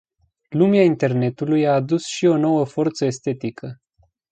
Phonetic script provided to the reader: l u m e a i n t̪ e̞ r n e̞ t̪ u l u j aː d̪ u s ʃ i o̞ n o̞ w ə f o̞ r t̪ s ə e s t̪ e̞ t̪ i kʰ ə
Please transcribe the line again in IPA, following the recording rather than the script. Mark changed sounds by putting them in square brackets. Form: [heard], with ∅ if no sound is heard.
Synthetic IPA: l u m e a i n t̪ e̞ r n e̞ t̪ u l u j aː d̪ u s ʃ i o̞ n o̞ w ə f o̞ r t̪ s ə e s t̪ e̞ t̪ i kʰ ə